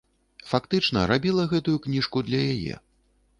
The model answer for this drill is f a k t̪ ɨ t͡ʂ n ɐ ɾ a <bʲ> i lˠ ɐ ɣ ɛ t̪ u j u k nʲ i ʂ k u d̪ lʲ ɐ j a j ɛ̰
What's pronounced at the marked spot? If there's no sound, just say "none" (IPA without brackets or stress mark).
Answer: bʲ